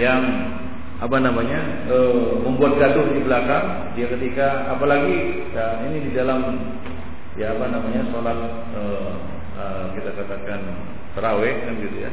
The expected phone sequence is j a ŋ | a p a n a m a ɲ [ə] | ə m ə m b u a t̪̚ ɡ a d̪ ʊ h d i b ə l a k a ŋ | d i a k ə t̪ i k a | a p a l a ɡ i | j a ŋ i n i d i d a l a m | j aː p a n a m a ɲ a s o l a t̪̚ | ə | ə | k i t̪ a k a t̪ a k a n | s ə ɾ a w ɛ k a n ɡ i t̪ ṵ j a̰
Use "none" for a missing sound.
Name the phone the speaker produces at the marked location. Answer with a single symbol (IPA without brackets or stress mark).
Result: a